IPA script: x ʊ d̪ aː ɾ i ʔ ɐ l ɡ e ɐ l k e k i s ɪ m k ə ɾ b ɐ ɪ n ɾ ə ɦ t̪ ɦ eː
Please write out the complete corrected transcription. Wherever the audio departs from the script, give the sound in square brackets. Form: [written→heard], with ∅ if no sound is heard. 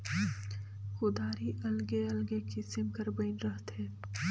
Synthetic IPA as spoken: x ʊ d̪ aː ɾ i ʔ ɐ l ɡ e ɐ l [k→ɡ] e k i s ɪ m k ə ɾ b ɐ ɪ n ɾ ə ɦ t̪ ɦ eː